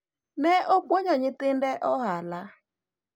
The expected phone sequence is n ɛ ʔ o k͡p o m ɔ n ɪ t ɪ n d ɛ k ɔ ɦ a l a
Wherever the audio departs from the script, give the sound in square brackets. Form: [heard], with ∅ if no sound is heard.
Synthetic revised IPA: n ɛ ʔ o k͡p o [ɲ] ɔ [ɲ] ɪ t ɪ n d ɛ [ʔ] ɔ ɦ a l a